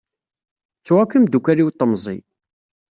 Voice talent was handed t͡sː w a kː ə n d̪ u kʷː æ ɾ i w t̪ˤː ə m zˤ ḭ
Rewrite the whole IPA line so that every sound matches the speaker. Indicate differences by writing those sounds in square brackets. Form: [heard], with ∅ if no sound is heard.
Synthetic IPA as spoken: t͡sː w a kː ə [m] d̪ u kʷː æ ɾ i w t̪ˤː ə m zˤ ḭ